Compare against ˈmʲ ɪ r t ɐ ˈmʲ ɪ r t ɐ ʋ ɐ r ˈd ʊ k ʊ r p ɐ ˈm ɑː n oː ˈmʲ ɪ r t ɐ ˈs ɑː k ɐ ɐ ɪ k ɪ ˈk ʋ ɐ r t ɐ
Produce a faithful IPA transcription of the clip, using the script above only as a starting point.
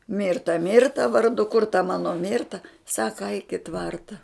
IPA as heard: ˈmʲ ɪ r t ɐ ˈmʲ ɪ r t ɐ ʋ ɐ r ˈd ʊ k ʊ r t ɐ ˈm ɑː n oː ˈmʲ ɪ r t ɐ ˈs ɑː k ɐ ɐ ɪ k ɪ ˈt ʋ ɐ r t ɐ